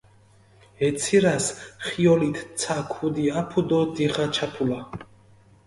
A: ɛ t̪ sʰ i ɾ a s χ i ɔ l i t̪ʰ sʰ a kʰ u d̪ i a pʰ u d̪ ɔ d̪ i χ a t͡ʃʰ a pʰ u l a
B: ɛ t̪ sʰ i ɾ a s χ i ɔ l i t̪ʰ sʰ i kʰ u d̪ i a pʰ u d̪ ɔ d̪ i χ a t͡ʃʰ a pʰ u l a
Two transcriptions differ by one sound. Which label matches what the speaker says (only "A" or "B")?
A